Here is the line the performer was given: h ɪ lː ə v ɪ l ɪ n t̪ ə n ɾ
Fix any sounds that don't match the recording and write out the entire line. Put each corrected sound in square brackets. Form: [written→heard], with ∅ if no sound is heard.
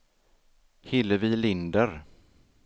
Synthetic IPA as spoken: h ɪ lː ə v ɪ l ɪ n [t̪→d̪] ə [n→∅] ɾ